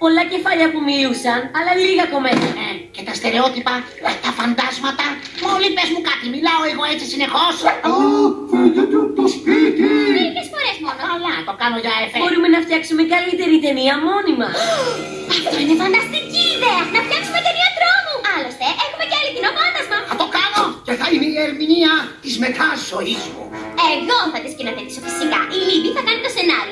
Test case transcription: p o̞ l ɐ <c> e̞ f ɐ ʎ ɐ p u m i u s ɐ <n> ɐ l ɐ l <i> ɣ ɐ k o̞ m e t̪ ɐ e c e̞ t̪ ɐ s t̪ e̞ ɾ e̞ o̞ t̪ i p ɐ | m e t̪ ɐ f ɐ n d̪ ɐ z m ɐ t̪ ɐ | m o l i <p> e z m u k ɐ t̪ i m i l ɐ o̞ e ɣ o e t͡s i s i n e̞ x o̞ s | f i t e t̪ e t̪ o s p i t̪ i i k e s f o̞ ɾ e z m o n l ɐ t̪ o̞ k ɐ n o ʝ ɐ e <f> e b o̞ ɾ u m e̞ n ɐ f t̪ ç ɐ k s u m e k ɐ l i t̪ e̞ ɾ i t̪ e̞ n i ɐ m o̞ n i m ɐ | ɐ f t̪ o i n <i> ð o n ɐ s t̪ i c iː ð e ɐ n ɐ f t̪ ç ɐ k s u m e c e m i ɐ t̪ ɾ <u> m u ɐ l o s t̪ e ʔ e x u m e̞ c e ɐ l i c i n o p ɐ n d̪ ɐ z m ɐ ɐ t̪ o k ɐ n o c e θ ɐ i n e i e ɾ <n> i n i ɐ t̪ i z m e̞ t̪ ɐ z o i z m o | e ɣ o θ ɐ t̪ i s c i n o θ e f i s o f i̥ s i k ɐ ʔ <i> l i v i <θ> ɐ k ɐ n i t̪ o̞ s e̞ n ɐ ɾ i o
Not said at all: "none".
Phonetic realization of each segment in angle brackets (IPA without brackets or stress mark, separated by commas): c, n, i, p, f, e, o, m, i, θ